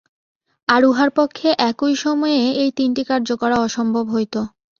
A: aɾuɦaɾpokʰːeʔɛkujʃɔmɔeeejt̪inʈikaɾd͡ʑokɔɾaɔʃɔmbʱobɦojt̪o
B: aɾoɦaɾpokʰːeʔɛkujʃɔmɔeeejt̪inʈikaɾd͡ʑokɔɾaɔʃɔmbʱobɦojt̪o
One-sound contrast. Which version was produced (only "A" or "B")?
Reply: A